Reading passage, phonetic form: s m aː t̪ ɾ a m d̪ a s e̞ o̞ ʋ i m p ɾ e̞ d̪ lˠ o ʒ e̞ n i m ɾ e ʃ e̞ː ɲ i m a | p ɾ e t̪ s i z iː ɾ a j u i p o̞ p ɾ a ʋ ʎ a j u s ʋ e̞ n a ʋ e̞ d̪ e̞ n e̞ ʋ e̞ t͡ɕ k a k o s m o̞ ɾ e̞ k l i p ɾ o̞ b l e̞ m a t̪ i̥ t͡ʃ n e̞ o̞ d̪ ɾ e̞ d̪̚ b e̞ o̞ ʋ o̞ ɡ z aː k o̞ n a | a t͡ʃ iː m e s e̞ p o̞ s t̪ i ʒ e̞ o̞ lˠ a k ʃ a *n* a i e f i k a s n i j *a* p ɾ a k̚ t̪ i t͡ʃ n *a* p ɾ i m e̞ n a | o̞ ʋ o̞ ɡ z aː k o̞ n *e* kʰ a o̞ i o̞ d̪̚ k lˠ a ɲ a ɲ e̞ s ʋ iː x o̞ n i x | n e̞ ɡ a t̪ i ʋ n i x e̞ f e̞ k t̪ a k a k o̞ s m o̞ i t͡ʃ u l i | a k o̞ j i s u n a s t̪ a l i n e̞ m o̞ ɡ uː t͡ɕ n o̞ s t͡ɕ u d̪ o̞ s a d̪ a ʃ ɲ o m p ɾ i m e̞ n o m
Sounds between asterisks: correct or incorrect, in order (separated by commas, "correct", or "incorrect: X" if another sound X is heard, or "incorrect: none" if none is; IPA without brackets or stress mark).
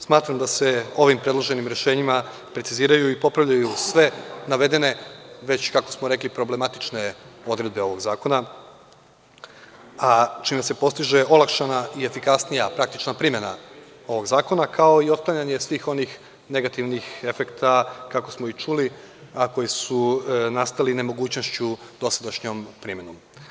correct, correct, correct, incorrect: a